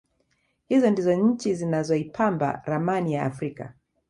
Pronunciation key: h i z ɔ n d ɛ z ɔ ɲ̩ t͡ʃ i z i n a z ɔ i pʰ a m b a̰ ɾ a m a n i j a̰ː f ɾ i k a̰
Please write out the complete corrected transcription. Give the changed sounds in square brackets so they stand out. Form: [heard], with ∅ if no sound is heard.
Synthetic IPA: h i z ɔ n d [i] z ɔ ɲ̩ t͡ʃ i z i n a z ɔ i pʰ a m b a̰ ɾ a m a n i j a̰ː f ɾ i k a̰

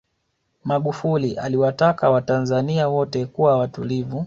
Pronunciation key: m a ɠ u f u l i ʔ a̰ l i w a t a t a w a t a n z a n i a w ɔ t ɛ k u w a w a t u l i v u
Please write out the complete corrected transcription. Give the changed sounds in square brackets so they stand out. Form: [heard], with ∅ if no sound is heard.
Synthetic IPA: m a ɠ u f u l i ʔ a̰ l i w a t a [k] a w a t a n z a n i a w ɔ t ɛ k u w a w a t u l i v u

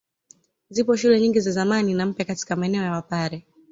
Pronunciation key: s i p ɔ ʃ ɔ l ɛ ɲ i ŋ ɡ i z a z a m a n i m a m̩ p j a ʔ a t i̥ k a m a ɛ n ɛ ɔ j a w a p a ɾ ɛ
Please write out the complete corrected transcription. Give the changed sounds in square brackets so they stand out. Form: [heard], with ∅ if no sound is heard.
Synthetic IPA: [z] i p ɔ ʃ [u] l ɛ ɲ i ŋ ɡ i z a z a m a n i [n] a m̩ p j a [k] a t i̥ k a m a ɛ n ɛ ɔ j a w a p a ɾ ɛ

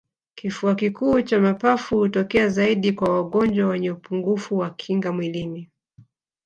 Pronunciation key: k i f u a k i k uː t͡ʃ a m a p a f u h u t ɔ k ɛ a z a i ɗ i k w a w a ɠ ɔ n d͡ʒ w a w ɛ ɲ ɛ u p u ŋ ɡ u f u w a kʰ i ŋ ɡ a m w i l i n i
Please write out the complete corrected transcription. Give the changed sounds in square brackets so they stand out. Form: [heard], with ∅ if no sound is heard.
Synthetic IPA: k i f u a k i k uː t͡ʃ a m a p a f u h u t ɔ k ɛ a z a i ɗ i k w a w a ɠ ɔ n d͡ʒ w a w ɛ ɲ ɛ u p u ŋ ɡ u f u w a kʰ i ŋ ɡ a m w i l i n i

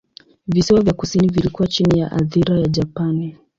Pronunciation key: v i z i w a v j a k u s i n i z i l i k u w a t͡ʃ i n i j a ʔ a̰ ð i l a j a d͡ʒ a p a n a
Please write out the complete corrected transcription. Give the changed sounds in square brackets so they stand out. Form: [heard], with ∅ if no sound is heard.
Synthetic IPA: v i [s] i w a v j a k u s i n i [v] i l i k u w a t͡ʃ i n i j a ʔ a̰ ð i [ɾ] a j a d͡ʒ a p a n [i]

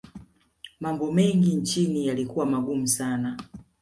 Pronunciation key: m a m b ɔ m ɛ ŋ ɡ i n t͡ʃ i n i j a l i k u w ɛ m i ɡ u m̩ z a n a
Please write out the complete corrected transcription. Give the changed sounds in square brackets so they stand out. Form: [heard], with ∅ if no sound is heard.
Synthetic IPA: m a m b ɔ m ɛ ŋ ɡ i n t͡ʃ i n i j a l i k u w [a] m [a] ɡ u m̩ [s] a n a

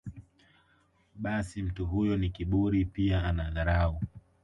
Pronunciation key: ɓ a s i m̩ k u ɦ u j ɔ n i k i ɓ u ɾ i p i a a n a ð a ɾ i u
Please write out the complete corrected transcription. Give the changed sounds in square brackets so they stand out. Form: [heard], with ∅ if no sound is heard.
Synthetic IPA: ɓ a s i m̩ [t] u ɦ u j ɔ n i k i ɓ u ɾ i p i a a n a ð a ɾ [a] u

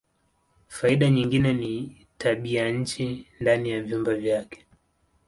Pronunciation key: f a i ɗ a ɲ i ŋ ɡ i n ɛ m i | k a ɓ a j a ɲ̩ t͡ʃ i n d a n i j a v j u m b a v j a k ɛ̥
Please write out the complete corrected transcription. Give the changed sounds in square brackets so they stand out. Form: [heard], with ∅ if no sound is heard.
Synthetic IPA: f a i ɗ a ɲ i ŋ ɡ i n ɛ [n] i | [t] a ɓ [i] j a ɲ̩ t͡ʃ i n d a n i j a v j u m b a v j a k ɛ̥

